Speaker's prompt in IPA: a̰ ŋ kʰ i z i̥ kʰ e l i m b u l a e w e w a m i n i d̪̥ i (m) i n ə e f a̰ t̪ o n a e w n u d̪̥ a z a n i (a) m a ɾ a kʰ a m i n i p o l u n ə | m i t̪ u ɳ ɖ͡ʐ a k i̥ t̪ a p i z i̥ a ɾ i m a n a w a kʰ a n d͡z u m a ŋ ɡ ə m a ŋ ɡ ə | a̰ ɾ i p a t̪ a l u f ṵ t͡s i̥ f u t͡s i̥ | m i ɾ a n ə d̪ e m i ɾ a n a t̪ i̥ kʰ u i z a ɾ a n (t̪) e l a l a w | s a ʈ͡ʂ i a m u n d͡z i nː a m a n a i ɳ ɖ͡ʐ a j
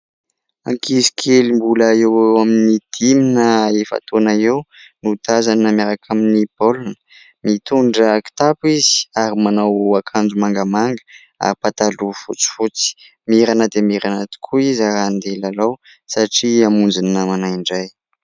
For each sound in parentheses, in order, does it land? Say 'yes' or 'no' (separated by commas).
yes, yes, no